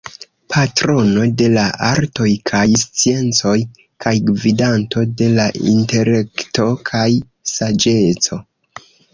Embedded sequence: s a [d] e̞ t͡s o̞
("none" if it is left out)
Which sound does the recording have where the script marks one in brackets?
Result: d͡ʒ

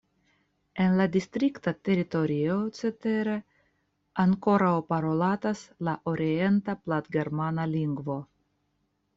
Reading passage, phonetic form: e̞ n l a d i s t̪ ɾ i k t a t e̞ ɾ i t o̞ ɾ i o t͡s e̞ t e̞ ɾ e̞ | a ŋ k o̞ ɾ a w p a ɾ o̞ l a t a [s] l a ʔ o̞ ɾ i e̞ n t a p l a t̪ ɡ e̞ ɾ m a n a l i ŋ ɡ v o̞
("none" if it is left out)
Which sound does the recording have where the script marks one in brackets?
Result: s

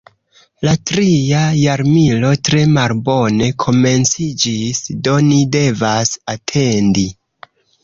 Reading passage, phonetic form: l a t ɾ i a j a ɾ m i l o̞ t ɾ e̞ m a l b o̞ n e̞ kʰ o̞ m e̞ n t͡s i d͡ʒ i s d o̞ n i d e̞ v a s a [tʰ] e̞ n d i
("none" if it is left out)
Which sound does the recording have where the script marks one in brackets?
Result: tʰ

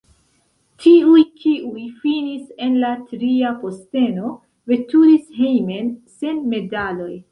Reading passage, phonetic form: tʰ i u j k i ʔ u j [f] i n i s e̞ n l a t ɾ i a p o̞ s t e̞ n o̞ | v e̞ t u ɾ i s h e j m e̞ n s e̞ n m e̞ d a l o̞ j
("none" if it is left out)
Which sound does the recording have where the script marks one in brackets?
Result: f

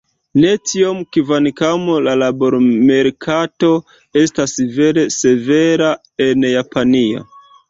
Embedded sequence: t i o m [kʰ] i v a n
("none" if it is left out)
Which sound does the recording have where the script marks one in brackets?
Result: k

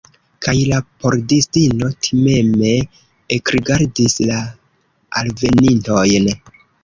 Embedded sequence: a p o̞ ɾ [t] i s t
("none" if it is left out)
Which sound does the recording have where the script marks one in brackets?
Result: d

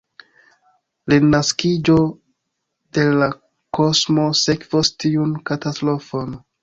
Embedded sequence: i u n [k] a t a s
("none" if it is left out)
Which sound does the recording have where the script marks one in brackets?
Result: k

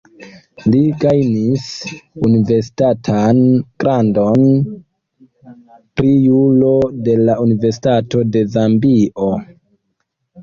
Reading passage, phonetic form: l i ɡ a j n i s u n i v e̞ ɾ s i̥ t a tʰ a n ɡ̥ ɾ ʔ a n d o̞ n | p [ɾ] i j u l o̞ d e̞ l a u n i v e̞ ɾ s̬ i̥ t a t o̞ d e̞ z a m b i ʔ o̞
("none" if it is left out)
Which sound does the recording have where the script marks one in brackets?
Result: ɾ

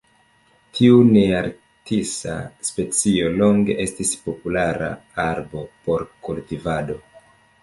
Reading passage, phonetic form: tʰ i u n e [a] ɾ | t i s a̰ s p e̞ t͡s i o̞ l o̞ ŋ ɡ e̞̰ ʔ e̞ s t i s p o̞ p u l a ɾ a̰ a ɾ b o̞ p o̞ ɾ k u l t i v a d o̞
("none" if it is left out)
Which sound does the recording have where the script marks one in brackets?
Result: a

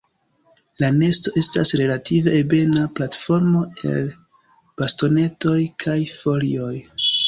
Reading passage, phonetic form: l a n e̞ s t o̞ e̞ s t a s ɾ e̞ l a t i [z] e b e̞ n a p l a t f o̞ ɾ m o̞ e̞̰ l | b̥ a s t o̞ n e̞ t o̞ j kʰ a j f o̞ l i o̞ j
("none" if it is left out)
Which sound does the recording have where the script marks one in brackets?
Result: v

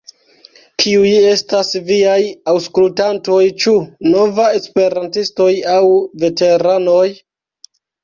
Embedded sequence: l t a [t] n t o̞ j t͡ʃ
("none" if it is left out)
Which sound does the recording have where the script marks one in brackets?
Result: none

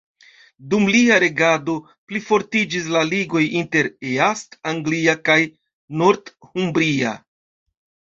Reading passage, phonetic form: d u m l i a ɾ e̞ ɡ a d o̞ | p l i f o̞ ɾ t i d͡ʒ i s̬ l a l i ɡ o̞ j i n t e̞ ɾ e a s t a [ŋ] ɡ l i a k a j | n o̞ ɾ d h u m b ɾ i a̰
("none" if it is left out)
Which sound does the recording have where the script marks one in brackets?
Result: ŋ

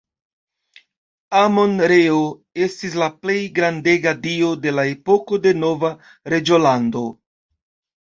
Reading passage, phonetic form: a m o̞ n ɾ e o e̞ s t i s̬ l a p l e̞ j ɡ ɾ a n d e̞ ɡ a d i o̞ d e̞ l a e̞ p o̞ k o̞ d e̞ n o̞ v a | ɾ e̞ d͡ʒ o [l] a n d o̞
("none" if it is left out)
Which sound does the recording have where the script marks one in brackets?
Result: l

